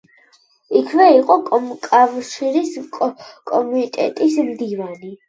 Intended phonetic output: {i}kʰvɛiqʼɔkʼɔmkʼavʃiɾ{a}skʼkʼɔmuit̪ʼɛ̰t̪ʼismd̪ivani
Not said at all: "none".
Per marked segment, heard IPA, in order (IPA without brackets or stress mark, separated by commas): i, i